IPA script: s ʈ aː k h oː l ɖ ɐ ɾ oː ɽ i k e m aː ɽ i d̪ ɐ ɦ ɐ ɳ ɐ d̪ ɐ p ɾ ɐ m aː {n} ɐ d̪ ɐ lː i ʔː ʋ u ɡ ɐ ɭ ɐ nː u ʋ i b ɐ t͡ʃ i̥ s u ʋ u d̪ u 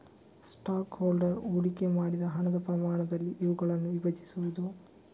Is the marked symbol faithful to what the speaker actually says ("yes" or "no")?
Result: no